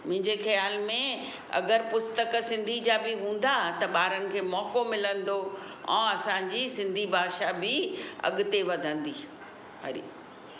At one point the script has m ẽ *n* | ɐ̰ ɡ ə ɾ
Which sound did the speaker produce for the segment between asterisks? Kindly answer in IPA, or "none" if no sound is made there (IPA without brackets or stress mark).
none